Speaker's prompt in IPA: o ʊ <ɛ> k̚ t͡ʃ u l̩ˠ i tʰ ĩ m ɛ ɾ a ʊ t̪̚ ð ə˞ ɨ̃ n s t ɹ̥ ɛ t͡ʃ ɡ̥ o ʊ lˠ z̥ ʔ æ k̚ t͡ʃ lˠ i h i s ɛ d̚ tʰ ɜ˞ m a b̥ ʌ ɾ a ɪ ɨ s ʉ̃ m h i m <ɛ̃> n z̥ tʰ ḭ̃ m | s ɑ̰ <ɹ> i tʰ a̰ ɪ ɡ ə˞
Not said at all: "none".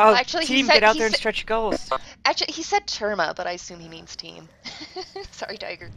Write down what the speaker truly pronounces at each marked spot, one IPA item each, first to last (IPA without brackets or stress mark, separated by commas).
æ, ĩ, ɹ